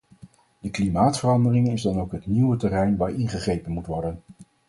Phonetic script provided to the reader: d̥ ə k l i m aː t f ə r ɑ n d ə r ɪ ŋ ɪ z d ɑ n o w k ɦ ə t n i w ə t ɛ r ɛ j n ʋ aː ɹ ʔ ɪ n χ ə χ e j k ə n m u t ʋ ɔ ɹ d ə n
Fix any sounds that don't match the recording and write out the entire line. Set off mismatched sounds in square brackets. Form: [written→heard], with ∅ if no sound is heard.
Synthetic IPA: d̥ ə k l i m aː t f ə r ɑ n d ə r ɪ ŋ ɪ z d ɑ n o w k ɦ ə t n i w ə t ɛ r ɛ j n ʋ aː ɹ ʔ ɪ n χ ə χ e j [k→p] ə n m u t ʋ ɔ ɹ d ə n